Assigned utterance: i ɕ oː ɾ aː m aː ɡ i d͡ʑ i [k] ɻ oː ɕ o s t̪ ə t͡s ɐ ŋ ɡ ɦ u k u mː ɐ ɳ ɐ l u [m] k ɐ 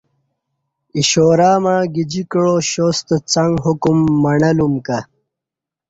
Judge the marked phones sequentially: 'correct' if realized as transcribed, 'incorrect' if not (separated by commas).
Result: correct, correct